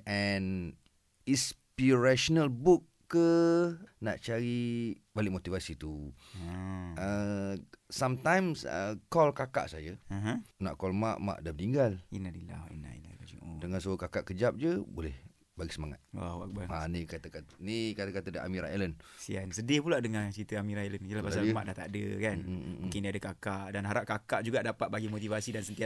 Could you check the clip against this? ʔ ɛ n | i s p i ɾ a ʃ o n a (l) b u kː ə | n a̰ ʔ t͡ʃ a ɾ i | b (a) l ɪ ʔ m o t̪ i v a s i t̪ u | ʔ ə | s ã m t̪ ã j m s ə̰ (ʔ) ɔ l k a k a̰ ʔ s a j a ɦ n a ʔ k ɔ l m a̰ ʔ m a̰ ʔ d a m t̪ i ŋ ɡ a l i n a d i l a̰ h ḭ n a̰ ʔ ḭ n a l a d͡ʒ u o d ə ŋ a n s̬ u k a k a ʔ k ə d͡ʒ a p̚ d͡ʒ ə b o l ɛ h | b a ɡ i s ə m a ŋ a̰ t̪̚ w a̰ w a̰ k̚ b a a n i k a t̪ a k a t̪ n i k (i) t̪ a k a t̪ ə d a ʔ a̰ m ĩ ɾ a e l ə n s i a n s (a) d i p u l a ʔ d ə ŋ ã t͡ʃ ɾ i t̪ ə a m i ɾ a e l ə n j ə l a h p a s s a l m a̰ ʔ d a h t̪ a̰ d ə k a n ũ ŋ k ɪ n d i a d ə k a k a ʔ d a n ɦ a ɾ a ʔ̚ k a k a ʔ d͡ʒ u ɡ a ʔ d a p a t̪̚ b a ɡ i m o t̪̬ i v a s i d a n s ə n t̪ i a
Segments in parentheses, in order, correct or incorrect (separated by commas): correct, correct, incorrect, incorrect, incorrect